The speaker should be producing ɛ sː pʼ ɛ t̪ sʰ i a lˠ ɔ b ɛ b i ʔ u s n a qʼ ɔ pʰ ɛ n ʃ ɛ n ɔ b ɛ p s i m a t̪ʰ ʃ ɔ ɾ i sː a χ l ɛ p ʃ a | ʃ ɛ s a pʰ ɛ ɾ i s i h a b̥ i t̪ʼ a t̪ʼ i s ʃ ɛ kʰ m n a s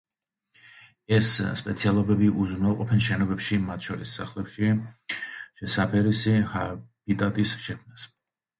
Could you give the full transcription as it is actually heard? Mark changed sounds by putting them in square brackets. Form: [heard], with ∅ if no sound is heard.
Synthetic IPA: ɛ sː pʼ ɛ t̪ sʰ i a lˠ ɔ b ɛ b i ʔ u [z] n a qʼ ɔ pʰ ɛ n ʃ ɛ n ɔ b ɛ p [ʃ] i m a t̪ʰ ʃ ɔ ɾ i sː a χ l ɛ p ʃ [i] | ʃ ɛ s a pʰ ɛ ɾ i s i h a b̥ i t̪ʼ a t̪ʼ i s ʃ ɛ kʰ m n a s